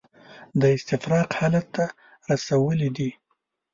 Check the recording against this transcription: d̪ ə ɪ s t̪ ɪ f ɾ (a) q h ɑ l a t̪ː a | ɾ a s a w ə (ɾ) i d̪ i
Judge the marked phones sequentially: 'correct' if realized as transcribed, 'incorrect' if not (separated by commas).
incorrect, incorrect